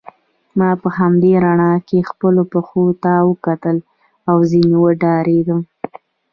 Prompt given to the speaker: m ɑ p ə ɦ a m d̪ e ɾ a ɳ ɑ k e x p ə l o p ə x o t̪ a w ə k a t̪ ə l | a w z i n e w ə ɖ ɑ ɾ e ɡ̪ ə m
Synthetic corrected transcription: m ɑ p ə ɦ a m d̪ e ɾ a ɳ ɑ k e x p ə l o p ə x o t̪ a w ə k a t̪ ə l | a w z i n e w ə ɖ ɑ ɾ e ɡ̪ ə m